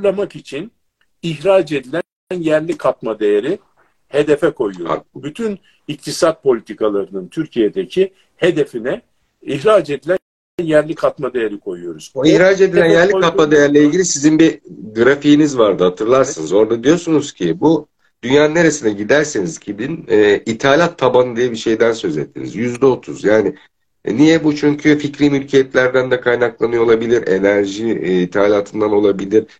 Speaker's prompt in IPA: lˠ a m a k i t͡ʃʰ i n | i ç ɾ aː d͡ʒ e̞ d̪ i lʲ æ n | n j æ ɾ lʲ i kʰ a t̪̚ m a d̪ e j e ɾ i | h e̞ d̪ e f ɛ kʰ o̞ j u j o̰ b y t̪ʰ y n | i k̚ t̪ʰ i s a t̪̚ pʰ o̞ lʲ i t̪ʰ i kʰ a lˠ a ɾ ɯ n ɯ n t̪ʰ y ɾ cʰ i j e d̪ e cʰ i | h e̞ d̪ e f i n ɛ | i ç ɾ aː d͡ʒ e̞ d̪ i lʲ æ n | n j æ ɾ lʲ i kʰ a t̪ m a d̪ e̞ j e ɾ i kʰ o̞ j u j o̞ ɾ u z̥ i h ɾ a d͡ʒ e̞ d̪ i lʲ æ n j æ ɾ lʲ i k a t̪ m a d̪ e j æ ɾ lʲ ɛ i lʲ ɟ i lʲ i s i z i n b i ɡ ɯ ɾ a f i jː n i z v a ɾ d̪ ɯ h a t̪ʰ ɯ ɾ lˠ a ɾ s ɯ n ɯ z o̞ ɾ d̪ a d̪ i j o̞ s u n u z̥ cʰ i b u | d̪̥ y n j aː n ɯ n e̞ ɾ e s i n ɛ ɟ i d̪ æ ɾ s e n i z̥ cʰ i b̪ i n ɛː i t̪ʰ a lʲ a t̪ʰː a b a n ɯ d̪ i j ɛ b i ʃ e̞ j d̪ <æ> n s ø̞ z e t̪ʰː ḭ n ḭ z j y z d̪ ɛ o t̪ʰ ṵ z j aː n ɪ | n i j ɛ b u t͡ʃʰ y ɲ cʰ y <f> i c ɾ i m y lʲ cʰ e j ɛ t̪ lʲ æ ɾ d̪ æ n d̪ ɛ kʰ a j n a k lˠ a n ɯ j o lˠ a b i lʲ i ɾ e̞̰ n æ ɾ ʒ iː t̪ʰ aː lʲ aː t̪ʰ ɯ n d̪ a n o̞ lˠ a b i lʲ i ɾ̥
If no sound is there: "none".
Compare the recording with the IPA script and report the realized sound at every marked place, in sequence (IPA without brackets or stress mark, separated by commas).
æ, f